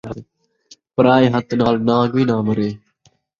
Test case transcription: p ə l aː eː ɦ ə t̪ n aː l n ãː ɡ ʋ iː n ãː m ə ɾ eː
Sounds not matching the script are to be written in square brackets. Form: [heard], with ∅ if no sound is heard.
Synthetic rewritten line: p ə [ɾ] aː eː ɦ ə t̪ n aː l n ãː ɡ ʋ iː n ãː m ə ɾ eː

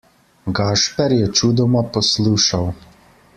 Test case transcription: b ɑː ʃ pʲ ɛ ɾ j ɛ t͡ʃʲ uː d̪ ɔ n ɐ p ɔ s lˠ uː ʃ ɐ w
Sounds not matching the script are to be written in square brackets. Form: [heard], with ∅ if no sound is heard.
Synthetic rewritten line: [ɡ] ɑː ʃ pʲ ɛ ɾ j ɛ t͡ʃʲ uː d̪ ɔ [m] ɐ p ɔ s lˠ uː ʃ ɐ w

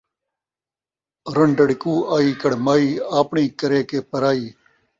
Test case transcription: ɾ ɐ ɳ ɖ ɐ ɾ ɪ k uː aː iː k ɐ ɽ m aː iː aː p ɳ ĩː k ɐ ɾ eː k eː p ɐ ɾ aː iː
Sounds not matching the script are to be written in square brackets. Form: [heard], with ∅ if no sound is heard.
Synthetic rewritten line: ɾ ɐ ɳ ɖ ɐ [ɽ] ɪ k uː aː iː k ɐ ɽ m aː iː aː p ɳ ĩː k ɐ ɾ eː k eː p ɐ ɾ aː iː

